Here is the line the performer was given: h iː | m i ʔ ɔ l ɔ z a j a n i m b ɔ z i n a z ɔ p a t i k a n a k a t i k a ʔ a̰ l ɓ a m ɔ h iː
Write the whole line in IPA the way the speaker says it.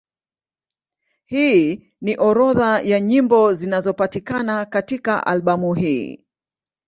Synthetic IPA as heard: h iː | n i ʔ ɔ ɾ ɔ ð a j a ɲ i m b ɔ z i n a z ɔ p a t i k a n a k a t i k a ʔ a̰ l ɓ a m u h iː